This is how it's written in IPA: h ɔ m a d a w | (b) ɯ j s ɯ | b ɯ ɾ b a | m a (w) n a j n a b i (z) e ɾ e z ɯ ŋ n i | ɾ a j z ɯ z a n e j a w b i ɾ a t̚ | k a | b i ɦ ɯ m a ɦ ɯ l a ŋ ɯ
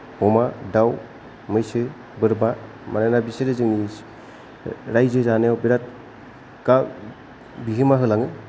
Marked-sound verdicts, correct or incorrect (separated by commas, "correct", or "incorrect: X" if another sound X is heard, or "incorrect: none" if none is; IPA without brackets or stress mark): incorrect: m, incorrect: none, incorrect: s